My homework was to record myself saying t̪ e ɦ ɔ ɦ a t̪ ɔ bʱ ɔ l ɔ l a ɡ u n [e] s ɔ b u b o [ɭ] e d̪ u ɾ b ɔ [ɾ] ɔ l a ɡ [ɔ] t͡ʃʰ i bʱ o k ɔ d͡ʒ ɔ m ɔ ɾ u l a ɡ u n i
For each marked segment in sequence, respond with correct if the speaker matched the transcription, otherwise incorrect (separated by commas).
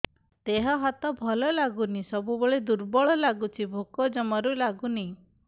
incorrect, correct, incorrect, incorrect